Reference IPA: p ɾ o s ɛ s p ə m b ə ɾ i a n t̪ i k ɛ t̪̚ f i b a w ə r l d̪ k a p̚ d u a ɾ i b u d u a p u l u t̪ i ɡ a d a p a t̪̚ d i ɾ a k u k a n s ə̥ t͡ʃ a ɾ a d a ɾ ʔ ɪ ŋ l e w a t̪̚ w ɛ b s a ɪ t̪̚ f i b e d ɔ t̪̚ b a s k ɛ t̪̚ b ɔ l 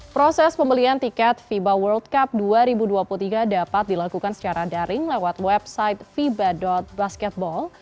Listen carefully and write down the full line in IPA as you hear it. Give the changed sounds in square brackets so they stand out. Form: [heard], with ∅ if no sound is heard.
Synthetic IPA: p ɾ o s ɛ s p ə m b ə [l] i a n t̪ i k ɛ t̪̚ f i b a w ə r l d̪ k a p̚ d u a ɾ i b u d u a p u l u t̪ i ɡ a d a p a t̪̚ d i [l] a k u k a n s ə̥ t͡ʃ a ɾ a d a ɾ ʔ ɪ ŋ l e w a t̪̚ w ɛ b s a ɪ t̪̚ f i b [a] d ɔ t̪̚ b a s k ɛ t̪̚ b ɔ l